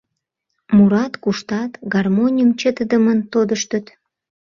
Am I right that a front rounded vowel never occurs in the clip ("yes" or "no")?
yes